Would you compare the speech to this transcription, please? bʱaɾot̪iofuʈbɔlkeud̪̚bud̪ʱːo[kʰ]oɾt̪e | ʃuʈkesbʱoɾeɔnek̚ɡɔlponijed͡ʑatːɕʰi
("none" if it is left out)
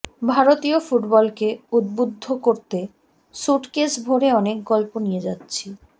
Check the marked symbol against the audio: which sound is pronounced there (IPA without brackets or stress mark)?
k